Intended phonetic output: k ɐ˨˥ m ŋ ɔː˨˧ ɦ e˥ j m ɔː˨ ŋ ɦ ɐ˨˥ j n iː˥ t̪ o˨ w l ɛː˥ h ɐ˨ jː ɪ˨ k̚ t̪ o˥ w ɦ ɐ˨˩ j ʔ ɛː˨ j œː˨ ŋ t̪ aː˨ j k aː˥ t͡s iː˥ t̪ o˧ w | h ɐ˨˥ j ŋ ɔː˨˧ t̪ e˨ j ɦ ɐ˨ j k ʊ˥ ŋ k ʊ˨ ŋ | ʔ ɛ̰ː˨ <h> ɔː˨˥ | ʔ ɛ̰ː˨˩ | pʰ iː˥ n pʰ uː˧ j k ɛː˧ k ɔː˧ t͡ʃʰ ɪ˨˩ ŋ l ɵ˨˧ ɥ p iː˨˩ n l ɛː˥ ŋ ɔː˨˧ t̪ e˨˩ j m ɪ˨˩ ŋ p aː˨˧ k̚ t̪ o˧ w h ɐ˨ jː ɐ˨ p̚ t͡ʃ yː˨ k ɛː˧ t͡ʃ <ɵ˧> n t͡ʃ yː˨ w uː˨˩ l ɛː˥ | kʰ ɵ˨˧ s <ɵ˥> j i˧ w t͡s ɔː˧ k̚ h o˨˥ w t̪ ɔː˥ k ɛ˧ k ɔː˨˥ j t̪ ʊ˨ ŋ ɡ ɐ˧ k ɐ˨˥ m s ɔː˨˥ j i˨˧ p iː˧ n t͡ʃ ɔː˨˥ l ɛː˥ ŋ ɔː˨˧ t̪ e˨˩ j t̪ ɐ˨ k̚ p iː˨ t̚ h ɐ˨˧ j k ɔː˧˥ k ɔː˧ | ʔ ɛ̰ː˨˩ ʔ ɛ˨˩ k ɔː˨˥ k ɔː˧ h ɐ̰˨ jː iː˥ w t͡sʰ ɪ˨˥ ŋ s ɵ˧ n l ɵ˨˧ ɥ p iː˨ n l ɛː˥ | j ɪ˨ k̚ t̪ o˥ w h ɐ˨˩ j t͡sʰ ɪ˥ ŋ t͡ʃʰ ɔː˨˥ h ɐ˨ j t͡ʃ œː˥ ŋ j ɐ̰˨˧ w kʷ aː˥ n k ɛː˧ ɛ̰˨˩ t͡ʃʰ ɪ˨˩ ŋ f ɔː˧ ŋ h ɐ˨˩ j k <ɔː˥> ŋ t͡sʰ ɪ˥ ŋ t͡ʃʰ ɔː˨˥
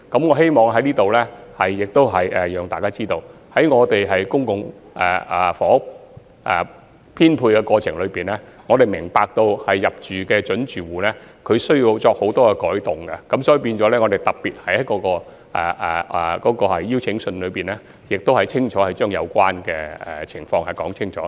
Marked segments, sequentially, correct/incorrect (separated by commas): incorrect, incorrect, correct, incorrect